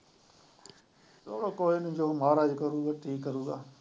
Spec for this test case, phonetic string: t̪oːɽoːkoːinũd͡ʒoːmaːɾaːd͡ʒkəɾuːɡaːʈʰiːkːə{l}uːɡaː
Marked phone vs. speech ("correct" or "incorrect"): incorrect